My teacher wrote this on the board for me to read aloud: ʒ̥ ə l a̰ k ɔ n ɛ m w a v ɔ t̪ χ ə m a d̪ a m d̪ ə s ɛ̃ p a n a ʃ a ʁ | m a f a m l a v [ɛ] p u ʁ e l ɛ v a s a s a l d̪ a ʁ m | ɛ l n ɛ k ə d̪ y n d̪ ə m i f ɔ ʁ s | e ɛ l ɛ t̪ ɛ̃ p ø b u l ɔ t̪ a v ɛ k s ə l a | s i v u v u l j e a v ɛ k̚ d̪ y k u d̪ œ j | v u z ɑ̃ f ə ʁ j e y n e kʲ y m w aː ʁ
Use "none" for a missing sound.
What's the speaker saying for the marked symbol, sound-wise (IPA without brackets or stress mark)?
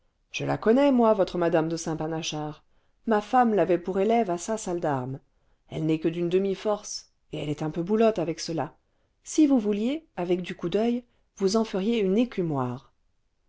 ɛ